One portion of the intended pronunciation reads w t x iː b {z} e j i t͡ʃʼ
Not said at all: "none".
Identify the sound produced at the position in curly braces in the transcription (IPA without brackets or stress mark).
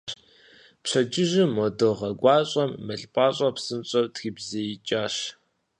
z